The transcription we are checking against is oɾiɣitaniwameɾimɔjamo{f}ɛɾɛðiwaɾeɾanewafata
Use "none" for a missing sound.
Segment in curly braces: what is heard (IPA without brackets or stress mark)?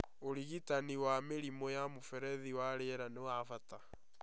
f